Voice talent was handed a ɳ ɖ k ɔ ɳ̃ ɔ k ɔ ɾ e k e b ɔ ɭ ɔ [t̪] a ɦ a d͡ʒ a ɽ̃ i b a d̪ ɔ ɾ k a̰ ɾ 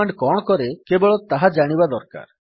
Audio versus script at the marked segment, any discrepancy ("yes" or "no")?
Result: no